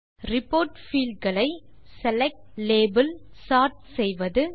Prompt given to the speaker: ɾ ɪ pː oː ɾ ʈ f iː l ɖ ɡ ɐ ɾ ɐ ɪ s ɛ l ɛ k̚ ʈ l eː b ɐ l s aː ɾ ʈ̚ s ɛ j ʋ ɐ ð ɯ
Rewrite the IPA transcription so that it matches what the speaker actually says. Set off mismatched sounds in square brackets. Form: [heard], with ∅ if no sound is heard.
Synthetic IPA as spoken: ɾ ɪ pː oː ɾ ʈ f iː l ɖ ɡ ɐ [ɭ] ɐ ɪ s ɛ l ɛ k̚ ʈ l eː b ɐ l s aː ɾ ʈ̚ s ɛ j ʋ ɐ ð ɯ